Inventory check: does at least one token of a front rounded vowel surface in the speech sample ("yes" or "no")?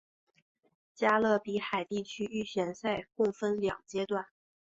yes